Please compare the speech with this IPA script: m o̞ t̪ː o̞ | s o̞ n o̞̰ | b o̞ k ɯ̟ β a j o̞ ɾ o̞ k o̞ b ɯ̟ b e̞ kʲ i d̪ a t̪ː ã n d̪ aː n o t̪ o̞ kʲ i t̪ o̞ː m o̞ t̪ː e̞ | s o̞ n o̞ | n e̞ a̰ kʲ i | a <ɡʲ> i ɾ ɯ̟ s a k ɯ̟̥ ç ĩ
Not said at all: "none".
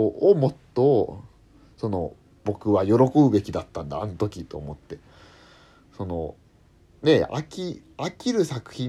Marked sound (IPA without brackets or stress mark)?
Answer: kʲ